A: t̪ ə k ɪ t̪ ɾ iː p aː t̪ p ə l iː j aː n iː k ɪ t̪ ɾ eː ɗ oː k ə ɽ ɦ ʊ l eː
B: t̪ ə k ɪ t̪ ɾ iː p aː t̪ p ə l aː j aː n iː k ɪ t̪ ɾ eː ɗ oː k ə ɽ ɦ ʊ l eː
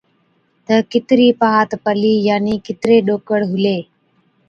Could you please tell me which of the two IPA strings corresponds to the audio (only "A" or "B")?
A